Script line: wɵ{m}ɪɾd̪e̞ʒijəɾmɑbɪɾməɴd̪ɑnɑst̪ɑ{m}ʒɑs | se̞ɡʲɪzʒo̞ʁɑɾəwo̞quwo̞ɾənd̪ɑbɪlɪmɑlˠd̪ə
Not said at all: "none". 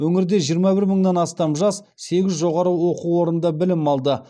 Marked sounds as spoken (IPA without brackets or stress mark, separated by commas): ŋ, m